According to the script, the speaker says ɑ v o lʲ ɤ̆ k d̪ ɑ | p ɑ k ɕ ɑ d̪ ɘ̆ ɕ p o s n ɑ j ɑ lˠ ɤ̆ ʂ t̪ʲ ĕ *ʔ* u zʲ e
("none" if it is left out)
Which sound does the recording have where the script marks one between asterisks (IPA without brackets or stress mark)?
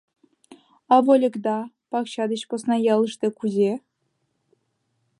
k